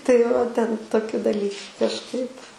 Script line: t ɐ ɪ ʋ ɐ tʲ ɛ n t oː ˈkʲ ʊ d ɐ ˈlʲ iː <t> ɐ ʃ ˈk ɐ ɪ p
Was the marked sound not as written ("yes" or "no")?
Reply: yes